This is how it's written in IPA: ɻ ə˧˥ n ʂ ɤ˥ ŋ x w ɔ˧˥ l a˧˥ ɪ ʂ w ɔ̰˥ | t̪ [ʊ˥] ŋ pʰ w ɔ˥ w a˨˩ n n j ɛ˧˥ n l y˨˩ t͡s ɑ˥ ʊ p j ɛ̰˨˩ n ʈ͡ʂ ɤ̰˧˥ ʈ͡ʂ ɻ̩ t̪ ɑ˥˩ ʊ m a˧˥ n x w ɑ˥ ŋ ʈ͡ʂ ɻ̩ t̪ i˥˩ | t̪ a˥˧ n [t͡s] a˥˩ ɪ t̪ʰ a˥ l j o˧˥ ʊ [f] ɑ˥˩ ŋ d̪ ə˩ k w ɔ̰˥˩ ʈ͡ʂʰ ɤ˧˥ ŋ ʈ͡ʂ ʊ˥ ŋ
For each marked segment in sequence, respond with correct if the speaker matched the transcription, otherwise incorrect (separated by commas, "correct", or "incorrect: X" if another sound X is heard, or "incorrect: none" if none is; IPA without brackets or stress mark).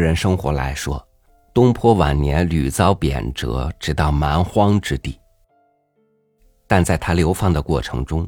correct, correct, correct